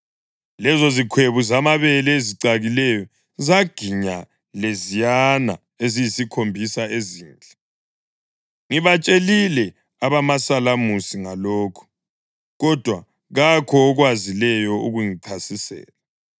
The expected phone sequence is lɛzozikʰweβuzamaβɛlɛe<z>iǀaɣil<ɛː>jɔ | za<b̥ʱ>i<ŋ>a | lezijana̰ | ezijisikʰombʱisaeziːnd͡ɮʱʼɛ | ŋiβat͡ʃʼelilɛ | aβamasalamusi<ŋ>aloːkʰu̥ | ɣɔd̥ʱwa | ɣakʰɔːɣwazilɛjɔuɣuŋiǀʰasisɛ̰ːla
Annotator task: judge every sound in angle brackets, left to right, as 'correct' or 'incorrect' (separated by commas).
correct, incorrect, incorrect, incorrect, correct